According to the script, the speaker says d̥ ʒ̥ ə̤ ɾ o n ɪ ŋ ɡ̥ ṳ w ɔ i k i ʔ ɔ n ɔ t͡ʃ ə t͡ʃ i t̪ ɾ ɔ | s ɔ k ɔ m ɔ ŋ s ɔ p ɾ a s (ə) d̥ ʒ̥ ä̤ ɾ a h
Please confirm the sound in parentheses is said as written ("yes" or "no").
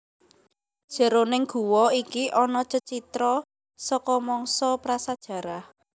no